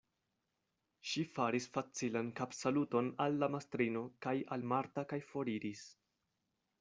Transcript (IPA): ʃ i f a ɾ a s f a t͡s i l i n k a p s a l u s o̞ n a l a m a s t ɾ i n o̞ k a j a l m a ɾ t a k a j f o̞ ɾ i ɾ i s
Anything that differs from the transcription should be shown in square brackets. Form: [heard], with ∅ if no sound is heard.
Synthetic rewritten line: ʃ i f a ɾ [i] s f a t͡s i l [a] n k a p s a l u [t] o̞ n a [lː] a m a s t ɾ i n o̞ k a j a l m a ɾ t a k a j f o̞ ɾ i ɾ i s